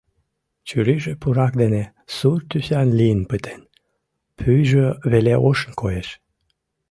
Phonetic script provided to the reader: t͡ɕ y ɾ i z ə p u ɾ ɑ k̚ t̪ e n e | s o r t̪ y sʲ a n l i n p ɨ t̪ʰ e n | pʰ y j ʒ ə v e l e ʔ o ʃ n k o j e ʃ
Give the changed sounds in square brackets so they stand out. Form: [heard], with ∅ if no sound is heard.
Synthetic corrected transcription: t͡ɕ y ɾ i [ʒ] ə p u ɾ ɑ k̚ [d̪] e n e | s [u] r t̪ y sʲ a n l i n p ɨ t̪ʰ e n | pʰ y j ʒ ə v e l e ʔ o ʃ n k o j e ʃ